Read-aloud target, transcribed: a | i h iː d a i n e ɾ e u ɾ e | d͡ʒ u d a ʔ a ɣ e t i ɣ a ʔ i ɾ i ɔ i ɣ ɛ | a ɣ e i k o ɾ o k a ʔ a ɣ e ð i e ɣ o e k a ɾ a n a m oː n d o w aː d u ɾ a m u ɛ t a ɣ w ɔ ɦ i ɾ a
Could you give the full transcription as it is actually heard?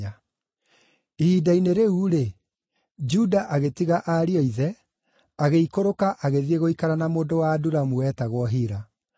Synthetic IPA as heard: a | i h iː d a i n e ɾ e u ɾ e | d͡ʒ u d a ʔ a ɣ e t i ɣ a ʔ a ɾ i ɔ i ð ɛ | a ɣ e i k o ɾ o k a ʔ a ɣ e ð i e ɣ o i k a ɾ a n a m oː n d o w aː d u ɾ a m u ɛ t a ɣ w ɔ ɦ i ɾ a